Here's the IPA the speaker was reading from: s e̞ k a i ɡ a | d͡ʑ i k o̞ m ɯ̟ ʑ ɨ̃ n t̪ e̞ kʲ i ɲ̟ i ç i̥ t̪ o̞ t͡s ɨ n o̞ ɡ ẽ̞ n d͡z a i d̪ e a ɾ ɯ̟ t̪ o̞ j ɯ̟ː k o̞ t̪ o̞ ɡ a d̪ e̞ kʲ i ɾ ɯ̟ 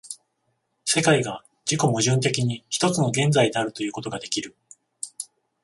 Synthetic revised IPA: s e̞ k a i ɡ a | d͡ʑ i k o̞ m ɯ̟ ʑ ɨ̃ n t̪ e̞ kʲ i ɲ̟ i ç i̥ t̪ o̞ t͡s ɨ n o̞ ɡ ẽ̞ n d͡z a i d̪ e a ɾ ɯ̟ t̪ o̞ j ɯ̟ː k o̞ t̪ o̞ ɡ a d̪ e̞ kʲ i ɾ ɯ̟